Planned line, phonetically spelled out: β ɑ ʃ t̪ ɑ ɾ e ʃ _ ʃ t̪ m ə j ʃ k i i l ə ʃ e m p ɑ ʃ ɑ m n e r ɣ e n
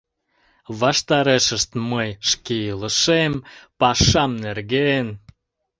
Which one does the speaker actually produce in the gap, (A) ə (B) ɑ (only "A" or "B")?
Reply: A